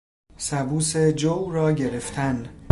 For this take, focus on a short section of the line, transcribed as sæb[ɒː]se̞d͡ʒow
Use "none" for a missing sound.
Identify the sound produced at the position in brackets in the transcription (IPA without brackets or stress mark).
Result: uː